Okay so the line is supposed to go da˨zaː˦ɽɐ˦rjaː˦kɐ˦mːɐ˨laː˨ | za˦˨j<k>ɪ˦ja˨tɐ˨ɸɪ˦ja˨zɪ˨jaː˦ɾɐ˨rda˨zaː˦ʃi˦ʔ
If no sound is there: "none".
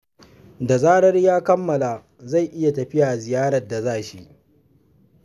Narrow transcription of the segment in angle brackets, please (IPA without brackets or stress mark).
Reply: ʔ